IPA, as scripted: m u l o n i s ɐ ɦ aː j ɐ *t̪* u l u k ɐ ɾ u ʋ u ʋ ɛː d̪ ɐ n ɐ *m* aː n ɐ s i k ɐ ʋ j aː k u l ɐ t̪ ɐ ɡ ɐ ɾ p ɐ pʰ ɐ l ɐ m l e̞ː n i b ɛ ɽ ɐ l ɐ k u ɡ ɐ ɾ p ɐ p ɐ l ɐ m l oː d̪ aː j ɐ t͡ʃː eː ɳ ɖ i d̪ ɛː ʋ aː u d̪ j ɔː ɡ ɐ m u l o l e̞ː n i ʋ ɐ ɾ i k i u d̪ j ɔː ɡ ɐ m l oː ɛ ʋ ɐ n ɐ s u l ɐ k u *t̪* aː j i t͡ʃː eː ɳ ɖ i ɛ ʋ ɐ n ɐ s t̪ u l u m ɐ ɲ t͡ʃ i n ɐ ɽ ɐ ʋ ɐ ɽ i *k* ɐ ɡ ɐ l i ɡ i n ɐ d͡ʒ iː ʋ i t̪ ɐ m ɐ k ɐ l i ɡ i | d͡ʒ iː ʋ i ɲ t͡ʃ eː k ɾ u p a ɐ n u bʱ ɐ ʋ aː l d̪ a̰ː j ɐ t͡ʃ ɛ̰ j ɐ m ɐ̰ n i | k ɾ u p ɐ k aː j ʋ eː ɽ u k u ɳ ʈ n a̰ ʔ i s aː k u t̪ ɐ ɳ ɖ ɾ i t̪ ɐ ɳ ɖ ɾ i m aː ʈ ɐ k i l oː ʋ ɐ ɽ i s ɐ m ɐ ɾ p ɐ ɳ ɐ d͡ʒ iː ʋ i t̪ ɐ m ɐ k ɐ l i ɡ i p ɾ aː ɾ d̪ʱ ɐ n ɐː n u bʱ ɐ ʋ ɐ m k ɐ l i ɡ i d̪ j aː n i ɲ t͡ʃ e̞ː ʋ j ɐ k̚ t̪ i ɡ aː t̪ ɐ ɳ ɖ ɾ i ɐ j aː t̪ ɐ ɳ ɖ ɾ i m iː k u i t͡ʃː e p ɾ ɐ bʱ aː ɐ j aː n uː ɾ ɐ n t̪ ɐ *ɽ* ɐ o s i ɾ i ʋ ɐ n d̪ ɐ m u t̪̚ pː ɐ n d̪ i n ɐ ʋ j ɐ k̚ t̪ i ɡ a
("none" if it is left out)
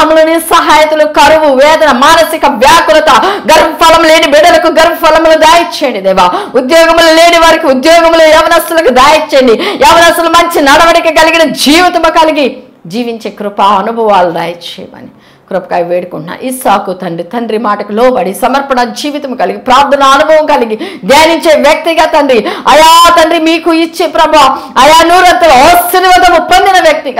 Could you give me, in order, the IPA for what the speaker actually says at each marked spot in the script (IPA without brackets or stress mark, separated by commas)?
t̪, m, d̪, k, l